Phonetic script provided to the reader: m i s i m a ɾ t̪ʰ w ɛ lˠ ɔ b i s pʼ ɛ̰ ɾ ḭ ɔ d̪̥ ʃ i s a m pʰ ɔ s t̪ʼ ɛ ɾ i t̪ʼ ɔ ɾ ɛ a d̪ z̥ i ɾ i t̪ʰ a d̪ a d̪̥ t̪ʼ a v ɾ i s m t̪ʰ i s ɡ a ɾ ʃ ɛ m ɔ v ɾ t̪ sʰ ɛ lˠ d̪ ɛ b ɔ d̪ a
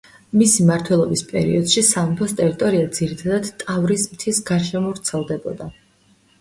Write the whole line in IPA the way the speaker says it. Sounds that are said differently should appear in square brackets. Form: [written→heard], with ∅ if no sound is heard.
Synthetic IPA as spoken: m i s i m a ɾ t̪ʰ w ɛ lˠ ɔ b i s pʼ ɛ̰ ɾ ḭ ɔ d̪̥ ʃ i s a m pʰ ɔ s t̪ʼ ɛ ɾ i t̪ʼ ɔ ɾ [ɛ→i] a d̪ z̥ i ɾ i t̪ʰ a d̪ a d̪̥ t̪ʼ a v ɾ i s m t̪ʰ i s ɡ a ɾ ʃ ɛ m ɔ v ɾ t̪ sʰ ɛ lˠ d̪ ɛ b ɔ d̪ a